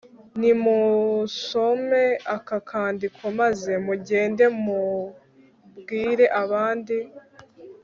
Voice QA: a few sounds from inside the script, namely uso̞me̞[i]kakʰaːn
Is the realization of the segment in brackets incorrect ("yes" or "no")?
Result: yes